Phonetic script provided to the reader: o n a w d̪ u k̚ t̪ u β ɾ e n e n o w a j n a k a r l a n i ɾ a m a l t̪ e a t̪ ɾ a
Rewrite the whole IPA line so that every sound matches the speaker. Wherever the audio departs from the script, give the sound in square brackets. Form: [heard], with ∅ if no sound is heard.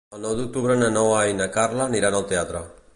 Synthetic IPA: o n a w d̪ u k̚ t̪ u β ɾ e n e n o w a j n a k a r l a n i ɾ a [n] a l t̪ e a t̪ ɾ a